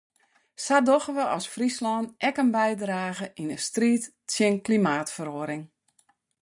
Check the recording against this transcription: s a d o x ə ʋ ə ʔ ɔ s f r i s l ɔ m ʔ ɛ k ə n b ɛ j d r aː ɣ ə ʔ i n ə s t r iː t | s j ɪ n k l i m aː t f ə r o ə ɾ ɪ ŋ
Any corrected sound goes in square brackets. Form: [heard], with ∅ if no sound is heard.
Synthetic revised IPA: s a d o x ə ʋ ə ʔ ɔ s f r i s l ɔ [n] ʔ ɛ k ə n b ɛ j d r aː ɣ ə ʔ i n ə s t r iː t | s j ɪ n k l i m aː t f ə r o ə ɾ ɪ ŋ